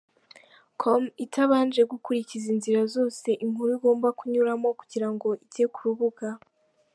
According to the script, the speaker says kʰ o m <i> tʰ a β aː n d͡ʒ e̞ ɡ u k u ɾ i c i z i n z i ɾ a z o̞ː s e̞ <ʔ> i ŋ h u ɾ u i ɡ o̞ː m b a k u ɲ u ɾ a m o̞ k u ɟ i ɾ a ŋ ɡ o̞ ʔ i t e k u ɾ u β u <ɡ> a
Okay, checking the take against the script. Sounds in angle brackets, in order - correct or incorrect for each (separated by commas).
correct, correct, correct